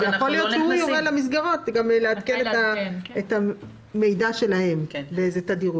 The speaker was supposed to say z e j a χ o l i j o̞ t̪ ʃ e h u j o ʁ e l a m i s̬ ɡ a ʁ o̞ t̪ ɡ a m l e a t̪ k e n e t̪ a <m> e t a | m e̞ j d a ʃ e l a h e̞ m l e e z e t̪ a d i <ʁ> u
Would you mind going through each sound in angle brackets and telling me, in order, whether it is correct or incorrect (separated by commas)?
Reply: incorrect, correct